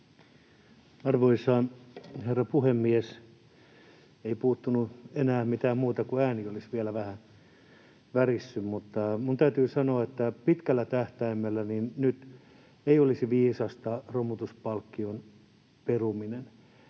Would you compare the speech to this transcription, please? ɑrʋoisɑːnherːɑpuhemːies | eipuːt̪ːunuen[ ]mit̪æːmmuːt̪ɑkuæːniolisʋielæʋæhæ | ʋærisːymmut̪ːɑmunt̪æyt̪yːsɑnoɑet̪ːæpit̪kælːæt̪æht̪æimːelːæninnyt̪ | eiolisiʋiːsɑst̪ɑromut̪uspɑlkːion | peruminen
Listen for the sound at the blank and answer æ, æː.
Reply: æː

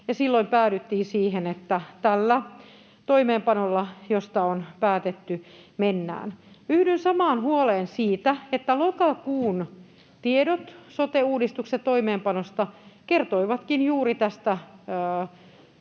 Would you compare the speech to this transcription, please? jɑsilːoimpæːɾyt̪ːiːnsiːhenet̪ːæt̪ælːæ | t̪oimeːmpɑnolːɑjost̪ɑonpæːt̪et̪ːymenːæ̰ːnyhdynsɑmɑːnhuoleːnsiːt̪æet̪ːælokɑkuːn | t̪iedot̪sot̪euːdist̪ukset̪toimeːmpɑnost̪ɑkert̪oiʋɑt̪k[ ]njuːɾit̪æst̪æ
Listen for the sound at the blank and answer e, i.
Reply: i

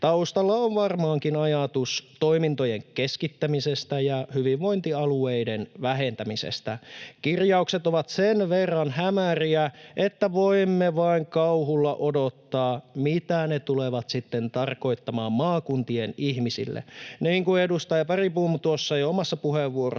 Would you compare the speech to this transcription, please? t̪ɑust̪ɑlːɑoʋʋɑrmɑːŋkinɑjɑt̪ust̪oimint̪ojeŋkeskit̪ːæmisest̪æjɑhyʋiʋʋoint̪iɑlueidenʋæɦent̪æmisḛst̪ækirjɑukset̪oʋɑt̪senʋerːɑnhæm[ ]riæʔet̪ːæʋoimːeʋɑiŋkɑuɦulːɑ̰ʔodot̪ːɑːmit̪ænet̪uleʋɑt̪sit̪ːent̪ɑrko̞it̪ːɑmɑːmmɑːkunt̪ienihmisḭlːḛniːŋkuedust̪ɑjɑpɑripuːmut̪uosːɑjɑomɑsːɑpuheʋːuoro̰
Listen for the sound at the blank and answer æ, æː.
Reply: æ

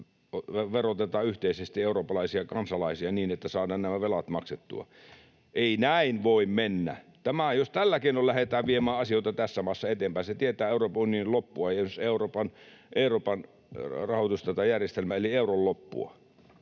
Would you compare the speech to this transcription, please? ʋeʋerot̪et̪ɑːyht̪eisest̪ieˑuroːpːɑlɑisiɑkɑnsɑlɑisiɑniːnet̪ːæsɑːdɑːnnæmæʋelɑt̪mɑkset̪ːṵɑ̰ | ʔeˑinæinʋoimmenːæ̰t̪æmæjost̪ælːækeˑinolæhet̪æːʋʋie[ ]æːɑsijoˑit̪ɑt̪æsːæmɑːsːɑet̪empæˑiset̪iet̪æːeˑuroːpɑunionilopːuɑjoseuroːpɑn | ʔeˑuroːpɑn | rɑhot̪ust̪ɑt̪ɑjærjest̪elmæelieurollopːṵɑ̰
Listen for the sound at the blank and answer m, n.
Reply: m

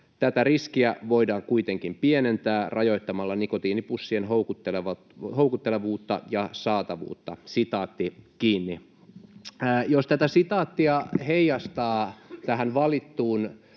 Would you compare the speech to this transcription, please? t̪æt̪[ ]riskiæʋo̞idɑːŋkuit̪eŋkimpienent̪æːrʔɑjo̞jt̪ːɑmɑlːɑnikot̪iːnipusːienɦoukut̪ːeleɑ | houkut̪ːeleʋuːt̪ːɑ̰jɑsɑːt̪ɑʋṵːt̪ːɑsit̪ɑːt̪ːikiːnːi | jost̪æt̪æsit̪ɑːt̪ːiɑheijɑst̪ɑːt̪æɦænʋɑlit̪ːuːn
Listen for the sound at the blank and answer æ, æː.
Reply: æ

